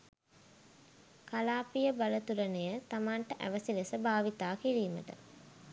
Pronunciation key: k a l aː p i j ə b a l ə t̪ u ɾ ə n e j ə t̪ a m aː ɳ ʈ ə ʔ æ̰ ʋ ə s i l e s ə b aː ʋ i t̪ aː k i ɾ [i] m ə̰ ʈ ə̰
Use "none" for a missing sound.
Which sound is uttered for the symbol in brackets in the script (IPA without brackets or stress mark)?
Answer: iː